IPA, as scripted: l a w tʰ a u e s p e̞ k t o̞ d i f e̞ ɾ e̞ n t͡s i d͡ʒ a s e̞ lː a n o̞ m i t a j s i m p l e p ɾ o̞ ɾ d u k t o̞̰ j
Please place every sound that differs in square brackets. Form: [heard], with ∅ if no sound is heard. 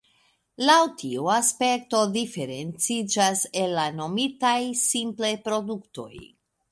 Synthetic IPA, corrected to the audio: l a w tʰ [i] u [a] s p e̞ k t o̞ d i f e̞ ɾ e̞ n t͡s i d͡ʒ a s e̞ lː a n o̞ m i t a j s i m p l e p ɾ o̞ [∅] d u k t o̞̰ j